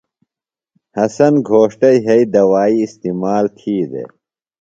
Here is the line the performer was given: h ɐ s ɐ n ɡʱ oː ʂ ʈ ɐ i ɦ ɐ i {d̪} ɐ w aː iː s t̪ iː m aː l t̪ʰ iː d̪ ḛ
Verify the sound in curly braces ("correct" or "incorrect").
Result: correct